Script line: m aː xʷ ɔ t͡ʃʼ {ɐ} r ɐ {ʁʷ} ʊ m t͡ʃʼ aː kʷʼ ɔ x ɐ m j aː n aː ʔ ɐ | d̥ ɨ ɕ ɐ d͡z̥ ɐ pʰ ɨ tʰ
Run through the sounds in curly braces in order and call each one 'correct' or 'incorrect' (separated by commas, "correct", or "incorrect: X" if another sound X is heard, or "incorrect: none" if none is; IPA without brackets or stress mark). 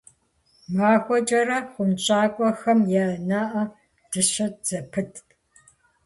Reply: correct, incorrect: χʷ